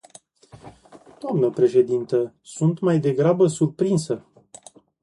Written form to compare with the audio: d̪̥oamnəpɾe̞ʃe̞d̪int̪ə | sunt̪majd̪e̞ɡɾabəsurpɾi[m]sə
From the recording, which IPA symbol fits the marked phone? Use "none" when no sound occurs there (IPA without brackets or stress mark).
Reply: n